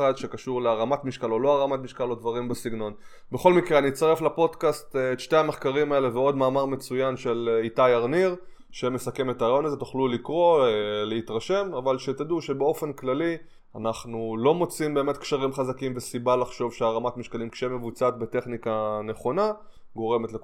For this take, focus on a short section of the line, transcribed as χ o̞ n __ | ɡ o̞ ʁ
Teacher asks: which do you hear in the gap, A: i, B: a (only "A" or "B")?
B